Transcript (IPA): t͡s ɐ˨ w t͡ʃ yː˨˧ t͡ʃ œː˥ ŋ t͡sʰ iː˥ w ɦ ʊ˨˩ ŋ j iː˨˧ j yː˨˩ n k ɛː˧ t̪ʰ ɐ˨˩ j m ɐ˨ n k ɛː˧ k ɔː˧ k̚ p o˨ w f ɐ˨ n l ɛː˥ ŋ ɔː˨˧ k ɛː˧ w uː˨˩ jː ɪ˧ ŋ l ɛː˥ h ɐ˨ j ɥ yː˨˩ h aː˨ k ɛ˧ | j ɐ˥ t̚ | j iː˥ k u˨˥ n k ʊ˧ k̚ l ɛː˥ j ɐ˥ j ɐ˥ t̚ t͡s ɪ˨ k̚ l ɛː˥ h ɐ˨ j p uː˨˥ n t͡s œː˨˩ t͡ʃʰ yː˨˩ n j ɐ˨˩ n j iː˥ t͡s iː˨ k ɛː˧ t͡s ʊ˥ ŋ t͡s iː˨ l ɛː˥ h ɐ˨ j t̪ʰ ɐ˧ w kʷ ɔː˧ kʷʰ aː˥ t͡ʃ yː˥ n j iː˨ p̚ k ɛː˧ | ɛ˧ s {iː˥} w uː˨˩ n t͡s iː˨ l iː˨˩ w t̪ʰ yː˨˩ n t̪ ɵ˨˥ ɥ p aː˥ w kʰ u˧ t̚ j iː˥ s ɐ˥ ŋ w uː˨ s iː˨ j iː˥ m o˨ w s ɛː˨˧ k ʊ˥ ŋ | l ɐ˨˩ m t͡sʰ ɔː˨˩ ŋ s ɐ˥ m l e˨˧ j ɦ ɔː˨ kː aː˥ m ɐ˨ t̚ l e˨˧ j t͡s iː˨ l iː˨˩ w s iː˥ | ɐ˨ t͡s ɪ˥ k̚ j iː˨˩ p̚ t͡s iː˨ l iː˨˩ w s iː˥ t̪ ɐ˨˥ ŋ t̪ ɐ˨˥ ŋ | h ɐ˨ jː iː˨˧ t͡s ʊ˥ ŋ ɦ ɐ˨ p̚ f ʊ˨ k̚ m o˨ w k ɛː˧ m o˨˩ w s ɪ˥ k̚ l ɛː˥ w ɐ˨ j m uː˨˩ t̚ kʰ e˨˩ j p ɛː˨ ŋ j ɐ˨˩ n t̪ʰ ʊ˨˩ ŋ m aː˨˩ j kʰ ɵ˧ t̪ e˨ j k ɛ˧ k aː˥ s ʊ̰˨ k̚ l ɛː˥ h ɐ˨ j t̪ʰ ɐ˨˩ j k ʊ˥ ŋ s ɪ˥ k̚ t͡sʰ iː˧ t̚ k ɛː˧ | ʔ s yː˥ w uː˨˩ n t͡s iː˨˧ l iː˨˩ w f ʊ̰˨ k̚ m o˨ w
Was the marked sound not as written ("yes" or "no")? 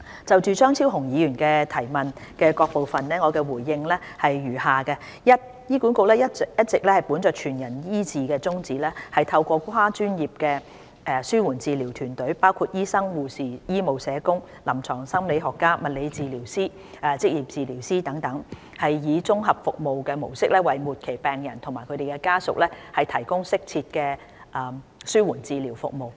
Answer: yes